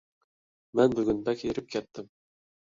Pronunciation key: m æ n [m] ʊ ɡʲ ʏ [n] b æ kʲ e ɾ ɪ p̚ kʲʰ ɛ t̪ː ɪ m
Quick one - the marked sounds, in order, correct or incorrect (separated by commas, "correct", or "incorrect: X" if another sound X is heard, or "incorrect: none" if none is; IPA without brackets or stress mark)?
incorrect: b, correct